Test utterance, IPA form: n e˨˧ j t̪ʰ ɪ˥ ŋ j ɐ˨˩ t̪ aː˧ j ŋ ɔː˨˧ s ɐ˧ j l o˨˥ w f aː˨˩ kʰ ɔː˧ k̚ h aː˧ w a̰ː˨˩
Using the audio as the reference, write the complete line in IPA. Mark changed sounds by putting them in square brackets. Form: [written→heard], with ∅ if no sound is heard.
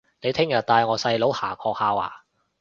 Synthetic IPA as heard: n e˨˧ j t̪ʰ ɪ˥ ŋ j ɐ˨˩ t̪ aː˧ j ŋ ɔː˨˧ s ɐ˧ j l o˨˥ w [f→h] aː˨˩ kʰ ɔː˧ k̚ h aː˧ w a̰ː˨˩